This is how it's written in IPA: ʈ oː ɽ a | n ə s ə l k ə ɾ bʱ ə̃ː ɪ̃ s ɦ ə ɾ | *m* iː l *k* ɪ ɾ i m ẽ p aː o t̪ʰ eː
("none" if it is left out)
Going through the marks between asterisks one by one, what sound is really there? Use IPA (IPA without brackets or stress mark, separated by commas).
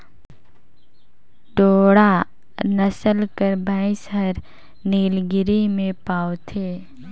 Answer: n, ɡ